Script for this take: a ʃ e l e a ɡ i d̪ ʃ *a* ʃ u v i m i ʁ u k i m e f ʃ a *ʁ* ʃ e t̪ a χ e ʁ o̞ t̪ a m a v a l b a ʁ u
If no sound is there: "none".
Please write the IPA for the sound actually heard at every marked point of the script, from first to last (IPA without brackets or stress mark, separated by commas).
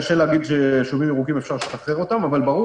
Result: e, ʁ